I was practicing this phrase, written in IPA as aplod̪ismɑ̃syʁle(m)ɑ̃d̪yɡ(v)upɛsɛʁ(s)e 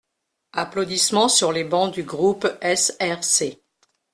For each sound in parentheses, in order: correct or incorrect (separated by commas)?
incorrect, incorrect, correct